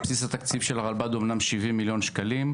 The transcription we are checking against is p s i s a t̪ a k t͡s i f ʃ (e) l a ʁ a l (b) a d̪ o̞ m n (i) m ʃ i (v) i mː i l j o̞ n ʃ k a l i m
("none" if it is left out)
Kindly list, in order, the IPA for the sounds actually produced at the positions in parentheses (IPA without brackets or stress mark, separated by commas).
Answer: e, b, a, v